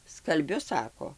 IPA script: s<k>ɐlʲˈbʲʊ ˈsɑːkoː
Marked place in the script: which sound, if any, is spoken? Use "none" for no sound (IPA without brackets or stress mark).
k